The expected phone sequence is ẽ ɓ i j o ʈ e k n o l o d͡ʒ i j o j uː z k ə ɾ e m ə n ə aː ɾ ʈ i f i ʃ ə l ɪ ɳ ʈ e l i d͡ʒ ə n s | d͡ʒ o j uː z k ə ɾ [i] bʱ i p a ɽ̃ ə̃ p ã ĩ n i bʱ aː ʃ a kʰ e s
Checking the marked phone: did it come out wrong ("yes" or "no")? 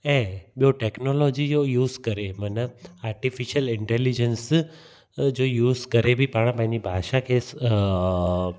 yes